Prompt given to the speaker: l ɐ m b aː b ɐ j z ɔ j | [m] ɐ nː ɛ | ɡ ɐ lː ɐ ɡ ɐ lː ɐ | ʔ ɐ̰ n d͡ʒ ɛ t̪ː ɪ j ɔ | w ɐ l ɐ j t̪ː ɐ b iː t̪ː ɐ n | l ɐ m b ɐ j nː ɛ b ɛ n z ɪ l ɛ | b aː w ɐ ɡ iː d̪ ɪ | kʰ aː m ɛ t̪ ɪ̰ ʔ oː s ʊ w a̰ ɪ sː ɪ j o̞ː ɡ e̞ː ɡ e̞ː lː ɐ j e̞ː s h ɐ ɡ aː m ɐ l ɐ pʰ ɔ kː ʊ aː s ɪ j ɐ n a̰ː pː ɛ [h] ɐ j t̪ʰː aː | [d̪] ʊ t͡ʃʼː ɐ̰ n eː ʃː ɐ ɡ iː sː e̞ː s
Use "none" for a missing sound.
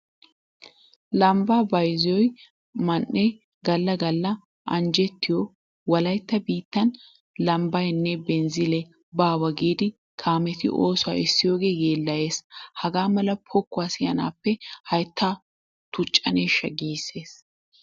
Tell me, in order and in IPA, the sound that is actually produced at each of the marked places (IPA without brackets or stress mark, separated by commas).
m, h, t̪